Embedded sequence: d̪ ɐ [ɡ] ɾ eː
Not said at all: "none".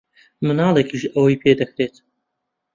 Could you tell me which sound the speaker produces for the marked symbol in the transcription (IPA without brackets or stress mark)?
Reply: k